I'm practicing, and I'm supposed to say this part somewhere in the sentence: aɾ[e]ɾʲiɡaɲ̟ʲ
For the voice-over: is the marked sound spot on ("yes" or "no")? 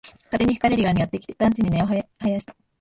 yes